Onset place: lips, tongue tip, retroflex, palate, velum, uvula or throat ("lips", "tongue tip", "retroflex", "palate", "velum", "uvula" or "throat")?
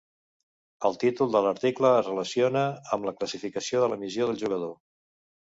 tongue tip